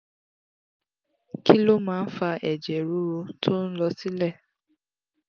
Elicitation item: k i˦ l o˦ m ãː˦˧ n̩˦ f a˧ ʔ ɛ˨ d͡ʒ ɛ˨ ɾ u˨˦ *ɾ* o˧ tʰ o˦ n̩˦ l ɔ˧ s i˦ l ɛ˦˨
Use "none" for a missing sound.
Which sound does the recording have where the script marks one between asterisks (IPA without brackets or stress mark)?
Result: ɾ